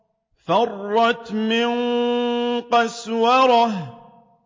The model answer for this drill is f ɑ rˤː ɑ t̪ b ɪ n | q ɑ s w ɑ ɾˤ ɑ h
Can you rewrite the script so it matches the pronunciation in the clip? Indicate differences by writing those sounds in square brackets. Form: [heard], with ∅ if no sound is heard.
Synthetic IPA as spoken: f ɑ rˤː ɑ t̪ [m] ɪ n | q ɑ s w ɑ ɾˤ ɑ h